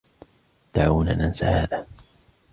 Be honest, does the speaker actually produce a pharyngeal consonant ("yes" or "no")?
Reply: yes